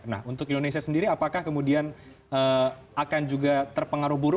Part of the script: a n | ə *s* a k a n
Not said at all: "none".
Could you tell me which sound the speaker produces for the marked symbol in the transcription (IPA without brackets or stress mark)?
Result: none